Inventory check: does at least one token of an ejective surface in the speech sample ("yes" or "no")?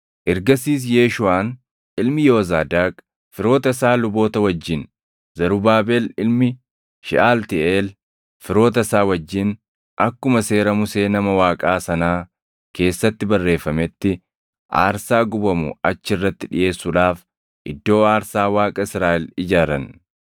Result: yes